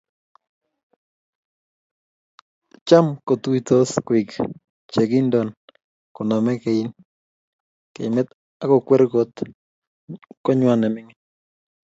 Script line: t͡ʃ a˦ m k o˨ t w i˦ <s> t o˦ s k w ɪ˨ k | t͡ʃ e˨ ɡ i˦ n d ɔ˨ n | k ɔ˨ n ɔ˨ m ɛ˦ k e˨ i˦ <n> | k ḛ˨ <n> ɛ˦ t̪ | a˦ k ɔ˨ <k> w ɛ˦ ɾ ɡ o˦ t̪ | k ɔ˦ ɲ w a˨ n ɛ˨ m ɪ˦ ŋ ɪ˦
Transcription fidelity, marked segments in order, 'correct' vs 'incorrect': incorrect, correct, incorrect, correct

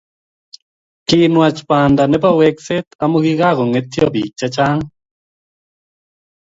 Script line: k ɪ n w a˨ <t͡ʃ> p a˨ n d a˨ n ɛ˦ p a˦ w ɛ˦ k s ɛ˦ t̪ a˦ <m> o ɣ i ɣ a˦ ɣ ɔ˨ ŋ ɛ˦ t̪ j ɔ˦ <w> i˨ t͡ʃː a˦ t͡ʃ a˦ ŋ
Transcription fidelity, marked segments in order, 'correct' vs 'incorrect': correct, correct, incorrect

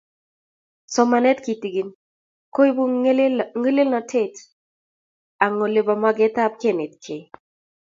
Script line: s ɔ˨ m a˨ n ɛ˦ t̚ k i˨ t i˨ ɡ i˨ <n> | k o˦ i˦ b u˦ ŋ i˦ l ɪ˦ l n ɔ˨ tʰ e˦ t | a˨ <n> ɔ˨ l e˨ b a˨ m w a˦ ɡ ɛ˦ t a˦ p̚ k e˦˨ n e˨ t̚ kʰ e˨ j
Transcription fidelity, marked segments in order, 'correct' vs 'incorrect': correct, incorrect

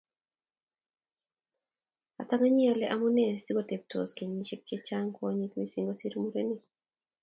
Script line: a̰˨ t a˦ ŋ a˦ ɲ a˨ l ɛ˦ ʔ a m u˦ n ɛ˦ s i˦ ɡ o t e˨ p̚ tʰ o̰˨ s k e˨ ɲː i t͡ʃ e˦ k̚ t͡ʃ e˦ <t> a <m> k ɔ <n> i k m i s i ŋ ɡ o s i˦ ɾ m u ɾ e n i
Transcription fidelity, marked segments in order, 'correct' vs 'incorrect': incorrect, incorrect, incorrect

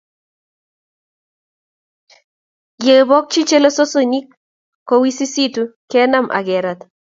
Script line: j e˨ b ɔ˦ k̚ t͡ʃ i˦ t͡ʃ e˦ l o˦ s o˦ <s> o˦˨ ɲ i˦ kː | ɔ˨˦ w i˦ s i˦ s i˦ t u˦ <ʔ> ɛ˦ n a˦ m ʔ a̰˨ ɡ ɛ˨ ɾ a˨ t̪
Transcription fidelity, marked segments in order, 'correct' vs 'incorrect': correct, incorrect

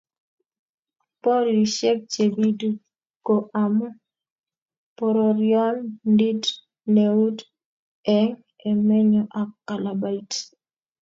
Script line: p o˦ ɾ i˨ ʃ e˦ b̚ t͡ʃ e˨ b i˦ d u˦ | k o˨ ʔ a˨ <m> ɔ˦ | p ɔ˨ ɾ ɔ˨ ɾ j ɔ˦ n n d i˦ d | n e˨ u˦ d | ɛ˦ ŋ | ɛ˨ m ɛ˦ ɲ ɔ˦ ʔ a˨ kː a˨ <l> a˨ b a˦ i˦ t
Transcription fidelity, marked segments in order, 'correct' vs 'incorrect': correct, correct

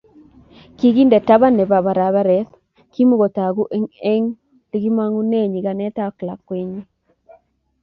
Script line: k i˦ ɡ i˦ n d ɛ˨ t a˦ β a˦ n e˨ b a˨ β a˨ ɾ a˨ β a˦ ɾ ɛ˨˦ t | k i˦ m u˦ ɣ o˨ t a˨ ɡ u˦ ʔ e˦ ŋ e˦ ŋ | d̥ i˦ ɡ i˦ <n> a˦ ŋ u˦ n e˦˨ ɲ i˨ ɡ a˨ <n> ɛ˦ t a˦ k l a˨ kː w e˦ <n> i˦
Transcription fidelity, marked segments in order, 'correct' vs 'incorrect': incorrect, correct, incorrect

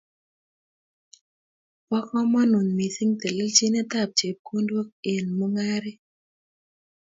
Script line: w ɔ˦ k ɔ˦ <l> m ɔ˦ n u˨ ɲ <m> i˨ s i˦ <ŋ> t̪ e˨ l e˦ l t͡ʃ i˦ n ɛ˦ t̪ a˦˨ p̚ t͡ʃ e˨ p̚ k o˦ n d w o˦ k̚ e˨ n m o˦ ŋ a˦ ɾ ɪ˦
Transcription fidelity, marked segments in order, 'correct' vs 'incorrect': incorrect, correct, correct

